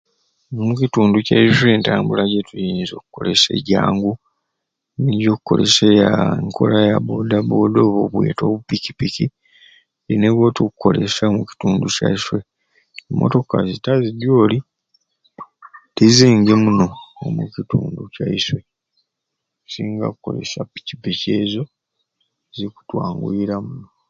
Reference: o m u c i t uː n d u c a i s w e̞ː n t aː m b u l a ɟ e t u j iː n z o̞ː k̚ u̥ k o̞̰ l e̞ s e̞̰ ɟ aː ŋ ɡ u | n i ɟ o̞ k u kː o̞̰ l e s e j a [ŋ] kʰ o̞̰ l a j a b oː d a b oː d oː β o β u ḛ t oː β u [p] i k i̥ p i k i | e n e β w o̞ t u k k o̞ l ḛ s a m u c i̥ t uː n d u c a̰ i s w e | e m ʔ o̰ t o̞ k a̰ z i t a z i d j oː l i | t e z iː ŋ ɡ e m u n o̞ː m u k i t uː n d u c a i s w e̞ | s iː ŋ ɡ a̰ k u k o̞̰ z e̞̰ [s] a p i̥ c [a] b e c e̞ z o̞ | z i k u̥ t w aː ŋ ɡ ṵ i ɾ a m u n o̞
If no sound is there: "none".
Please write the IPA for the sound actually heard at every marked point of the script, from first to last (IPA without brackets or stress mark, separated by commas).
ŋ, p, s, i